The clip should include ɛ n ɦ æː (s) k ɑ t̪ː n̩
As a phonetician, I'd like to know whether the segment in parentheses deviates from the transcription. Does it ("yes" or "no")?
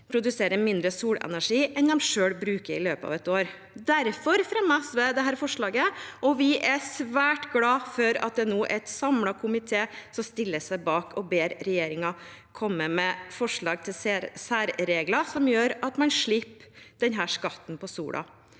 yes